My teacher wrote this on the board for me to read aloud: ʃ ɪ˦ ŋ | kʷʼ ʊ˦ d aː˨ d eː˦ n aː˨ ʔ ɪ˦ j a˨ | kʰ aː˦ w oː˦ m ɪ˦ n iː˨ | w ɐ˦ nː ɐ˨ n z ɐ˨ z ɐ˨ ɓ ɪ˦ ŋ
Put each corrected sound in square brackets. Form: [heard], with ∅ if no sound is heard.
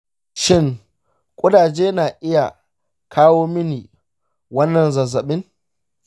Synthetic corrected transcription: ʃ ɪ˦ ŋ | kʷʼ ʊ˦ d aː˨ [d͡ʒ] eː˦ n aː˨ ʔ ɪ˦ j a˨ | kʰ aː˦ w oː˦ m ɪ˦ n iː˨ | w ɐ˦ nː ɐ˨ n z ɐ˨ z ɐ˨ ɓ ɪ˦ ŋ